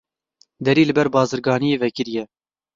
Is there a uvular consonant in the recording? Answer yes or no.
no